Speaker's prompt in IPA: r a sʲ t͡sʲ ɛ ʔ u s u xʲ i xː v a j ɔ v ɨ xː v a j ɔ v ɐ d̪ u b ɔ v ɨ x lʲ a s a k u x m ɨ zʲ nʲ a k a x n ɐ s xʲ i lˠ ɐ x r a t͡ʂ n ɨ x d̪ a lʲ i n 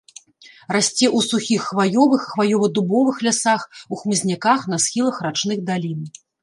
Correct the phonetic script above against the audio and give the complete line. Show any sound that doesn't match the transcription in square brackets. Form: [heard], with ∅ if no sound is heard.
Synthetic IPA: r a sʲ t͡sʲ ɛ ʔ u s u xʲ i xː v a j ɔ v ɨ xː v a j ɔ v ɐ d̪ u b ɔ v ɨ x lʲ a s a [x] u x m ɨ zʲ nʲ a k a x n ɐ s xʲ i lˠ ɐ x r a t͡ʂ n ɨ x d̪ a lʲ i n

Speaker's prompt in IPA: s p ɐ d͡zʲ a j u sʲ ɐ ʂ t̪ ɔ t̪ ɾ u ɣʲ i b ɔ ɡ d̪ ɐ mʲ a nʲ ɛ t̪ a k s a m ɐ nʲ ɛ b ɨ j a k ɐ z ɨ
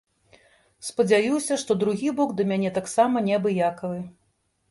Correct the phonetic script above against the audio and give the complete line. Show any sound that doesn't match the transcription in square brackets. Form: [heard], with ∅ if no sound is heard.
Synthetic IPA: s p ɐ d͡zʲ a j u sʲ ɐ ʂ t̪ ɔ [d̪] ɾ u ɣʲ i b ɔ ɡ d̪ ɐ mʲ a nʲ ɛ t̪ a k s a m ɐ nʲ ɛ b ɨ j a k ɐ [v] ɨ

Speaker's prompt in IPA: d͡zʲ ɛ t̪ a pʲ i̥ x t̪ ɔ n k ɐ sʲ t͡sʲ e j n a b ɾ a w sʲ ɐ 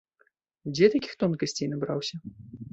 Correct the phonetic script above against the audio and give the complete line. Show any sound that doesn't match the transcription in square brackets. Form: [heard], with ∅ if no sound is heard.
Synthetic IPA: d͡zʲ ɛ t̪ a [kʲ] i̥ x t̪ ɔ n k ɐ sʲ t͡sʲ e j n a b ɾ a w sʲ ɐ

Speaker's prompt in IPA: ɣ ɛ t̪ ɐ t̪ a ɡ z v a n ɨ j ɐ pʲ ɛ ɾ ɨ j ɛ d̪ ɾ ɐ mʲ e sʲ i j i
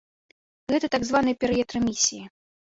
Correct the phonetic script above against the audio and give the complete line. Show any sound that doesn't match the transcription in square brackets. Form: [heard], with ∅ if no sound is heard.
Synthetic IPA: ɣ ɛ t̪ ɐ t̪ a ɡ z v a n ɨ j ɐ pʲ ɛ ɾ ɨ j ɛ [t̪] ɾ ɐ mʲ [i] sʲ i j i

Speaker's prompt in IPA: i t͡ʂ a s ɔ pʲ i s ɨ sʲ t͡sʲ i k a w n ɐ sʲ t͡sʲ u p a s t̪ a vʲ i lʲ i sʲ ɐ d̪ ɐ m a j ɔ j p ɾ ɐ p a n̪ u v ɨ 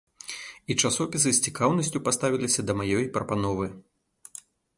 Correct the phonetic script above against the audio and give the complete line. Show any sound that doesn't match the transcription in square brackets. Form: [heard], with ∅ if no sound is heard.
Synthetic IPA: i t͡ʂ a s ɔ pʲ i s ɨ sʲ t͡sʲ i k a w n ɐ sʲ t͡sʲ u p a s t̪ a vʲ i lʲ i sʲ ɐ d̪ ɐ m a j ɔ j p ɾ ɐ p a n̪ [ɔ] v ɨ

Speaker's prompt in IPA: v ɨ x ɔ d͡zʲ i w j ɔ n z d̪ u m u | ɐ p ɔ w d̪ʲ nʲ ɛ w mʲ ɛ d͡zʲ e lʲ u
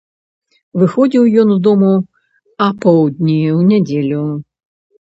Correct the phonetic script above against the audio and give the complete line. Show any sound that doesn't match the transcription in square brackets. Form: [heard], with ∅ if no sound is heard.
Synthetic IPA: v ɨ x ɔ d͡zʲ i w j ɔ n z d̪ [ɔ] m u | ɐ p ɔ w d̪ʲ nʲ [i] w [nʲ] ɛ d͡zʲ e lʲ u

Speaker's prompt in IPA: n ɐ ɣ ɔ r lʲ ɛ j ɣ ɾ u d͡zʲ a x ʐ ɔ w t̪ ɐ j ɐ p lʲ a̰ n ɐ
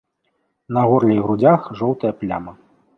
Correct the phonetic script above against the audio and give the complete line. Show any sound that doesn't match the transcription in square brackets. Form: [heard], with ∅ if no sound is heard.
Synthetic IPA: n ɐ ɣ ɔ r lʲ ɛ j ɣ ɾ u d͡zʲ a x ʐ ɔ w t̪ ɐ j ɐ p lʲ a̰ [m] ɐ

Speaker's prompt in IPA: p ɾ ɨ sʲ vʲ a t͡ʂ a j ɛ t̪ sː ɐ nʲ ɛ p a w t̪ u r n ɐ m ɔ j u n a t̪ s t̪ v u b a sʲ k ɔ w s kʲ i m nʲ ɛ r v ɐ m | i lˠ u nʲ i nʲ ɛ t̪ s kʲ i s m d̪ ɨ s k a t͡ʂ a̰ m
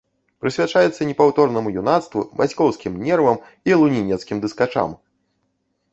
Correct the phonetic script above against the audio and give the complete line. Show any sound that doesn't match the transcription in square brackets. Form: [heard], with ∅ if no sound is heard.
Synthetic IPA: p ɾ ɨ sʲ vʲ a t͡ʂ a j ɛ t̪ sː ɐ nʲ ɛ p a w t̪ [ɔ] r n ɐ m [u] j u n a t̪ s t̪ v u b a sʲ k ɔ w s kʲ i m nʲ ɛ r v ɐ m | i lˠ u nʲ i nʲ ɛ t̪ s kʲ i [∅] m d̪ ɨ s k a t͡ʂ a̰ m

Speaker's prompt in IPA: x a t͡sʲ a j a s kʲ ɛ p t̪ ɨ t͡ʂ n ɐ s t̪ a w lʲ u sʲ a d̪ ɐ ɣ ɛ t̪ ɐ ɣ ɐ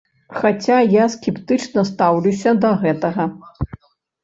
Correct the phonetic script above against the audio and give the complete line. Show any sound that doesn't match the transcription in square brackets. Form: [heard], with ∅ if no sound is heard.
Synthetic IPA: x a t͡sʲ a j a s kʲ ɛ p t̪ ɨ t͡ʂ n ɐ s t̪ a w lʲ u sʲ [ɐ] d̪ ɐ ɣ ɛ t̪ ɐ ɣ ɐ

